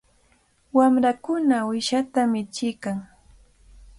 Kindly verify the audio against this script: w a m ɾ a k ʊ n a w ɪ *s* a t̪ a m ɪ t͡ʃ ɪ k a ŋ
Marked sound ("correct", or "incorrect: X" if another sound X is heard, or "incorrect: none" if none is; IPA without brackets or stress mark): incorrect: ʃ